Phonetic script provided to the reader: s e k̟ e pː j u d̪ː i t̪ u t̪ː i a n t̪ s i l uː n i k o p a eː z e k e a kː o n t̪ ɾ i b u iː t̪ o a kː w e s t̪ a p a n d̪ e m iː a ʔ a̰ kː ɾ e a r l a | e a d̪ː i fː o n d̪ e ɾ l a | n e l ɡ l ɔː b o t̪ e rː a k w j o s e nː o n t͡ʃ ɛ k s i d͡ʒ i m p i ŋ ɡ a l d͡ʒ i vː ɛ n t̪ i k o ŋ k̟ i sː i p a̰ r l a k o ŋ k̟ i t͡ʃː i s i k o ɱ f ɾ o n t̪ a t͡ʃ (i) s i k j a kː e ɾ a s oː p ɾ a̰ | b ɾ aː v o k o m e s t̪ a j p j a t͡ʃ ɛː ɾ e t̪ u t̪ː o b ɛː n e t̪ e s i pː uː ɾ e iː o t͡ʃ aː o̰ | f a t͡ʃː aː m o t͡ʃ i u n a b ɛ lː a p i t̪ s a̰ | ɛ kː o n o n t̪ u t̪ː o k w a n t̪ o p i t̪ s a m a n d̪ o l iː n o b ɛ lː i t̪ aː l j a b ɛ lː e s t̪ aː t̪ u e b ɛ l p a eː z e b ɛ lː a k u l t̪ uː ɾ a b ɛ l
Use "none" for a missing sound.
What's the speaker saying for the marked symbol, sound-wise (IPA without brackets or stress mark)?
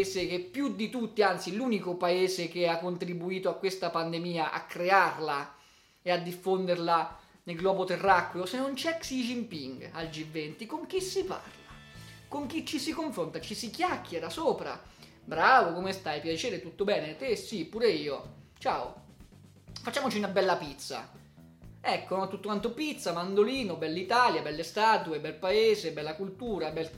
i